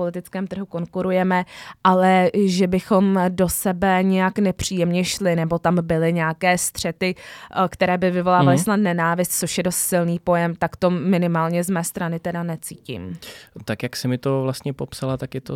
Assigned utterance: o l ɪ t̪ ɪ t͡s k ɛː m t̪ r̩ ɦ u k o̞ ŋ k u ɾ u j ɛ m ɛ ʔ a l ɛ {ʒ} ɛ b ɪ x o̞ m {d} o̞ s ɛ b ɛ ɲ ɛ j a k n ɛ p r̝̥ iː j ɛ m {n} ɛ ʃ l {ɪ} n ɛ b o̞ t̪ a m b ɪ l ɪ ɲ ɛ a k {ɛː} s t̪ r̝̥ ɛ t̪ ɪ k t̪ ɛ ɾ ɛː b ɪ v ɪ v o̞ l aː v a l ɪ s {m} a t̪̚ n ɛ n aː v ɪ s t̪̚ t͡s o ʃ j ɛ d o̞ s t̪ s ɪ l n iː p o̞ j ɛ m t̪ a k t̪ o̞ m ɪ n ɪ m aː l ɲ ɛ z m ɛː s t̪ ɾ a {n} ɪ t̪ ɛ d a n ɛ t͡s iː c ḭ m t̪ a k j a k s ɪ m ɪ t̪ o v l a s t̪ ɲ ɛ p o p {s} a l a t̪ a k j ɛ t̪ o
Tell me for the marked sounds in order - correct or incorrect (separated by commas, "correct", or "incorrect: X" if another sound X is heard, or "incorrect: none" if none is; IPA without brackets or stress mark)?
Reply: correct, correct, incorrect: ɲ, correct, correct, incorrect: n, correct, correct